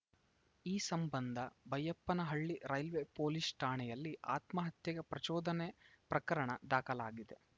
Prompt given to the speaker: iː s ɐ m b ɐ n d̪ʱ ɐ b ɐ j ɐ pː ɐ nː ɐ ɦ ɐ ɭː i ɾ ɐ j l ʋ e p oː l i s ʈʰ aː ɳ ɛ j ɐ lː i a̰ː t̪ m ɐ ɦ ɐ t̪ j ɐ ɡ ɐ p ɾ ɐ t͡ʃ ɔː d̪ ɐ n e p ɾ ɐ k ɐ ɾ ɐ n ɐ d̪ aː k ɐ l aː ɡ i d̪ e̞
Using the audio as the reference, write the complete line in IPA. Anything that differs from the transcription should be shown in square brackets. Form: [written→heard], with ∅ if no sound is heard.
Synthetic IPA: iː s ɐ m b ɐ n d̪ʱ ɐ b ɐ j ɐ pː ɐ [nː→n] ɐ ɦ ɐ ɭː i ɾ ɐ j l ʋ e p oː l i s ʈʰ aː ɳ ɛ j ɐ lː i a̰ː t̪ m ɐ ɦ ɐ t̪ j ɐ ɡ ɐ p ɾ ɐ t͡ʃ ɔː d̪ ɐ n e p ɾ ɐ k ɐ ɾ ɐ [n→ɳ] ɐ d̪ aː k ɐ l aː ɡ i d̪ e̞